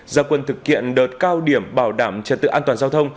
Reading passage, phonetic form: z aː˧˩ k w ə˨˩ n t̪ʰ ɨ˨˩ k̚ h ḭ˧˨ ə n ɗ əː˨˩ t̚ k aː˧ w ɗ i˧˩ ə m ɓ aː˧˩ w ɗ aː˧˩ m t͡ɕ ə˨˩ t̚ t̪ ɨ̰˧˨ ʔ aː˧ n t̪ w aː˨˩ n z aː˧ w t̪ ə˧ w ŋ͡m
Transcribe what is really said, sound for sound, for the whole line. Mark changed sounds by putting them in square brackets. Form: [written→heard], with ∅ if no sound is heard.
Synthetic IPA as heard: z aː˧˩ k w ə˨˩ n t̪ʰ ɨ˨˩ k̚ h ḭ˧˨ ə n ɗ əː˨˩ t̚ k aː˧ w ɗ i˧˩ ə m ɓ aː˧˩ w ɗ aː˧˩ m t͡ɕ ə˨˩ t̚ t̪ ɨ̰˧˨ ʔ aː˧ n t̪ w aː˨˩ n z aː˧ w [t̪→t̪ʰ] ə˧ w ŋ͡m